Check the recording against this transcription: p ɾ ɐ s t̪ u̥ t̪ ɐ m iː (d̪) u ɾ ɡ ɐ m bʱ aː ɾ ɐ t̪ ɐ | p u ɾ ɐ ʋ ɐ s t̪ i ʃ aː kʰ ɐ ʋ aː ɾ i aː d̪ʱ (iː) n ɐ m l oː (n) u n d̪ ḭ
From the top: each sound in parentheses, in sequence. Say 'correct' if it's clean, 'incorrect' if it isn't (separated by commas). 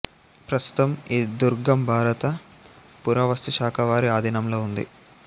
correct, incorrect, incorrect